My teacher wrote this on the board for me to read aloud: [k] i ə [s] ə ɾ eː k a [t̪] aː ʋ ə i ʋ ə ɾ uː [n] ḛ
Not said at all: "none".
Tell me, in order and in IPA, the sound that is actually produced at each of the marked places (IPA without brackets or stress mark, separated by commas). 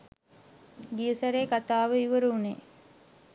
ɡ, s, t̪, n